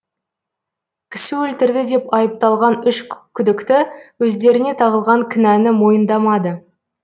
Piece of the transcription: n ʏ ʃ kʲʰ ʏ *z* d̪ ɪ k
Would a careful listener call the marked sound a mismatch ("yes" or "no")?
yes